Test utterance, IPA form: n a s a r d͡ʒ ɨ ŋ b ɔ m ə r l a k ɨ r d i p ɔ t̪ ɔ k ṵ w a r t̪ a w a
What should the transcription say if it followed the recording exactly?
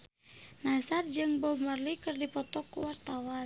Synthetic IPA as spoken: n a s a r d͡ʒ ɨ ŋ b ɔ m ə r l i k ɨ r d i p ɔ t̪ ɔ k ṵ w a r t̪ a w a